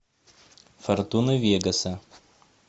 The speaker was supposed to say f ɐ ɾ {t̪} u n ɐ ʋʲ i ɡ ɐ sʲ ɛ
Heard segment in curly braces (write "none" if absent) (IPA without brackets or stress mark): t̪